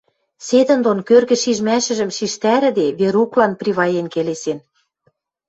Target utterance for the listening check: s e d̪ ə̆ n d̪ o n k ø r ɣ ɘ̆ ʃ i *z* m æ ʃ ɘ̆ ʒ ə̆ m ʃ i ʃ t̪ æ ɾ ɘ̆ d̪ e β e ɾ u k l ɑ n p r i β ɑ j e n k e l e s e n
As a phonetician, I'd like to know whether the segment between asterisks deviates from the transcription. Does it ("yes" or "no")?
yes